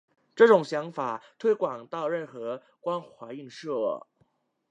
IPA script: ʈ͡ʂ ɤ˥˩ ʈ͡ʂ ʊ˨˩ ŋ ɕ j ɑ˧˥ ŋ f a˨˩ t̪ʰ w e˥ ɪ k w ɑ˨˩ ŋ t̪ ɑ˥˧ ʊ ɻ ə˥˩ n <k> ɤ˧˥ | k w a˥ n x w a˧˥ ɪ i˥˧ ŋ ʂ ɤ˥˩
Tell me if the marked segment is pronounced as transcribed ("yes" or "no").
no